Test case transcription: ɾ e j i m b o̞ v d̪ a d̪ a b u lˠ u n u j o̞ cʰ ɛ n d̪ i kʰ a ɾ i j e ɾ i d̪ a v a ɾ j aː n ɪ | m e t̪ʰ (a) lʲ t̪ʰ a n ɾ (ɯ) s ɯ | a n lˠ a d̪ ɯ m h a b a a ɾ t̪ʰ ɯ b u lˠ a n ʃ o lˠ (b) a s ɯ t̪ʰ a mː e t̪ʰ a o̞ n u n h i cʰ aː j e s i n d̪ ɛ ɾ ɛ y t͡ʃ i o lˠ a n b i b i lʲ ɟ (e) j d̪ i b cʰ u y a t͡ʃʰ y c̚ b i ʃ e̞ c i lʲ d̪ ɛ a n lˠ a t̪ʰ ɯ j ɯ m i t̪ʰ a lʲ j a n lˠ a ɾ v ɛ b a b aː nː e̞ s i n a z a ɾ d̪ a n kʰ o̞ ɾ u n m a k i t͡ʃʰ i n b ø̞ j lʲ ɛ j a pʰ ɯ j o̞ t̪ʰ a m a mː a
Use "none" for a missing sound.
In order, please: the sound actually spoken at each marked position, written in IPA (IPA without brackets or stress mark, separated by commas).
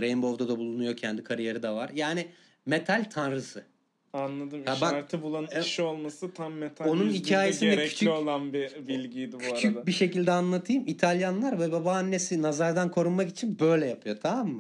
a, ɯ, m, i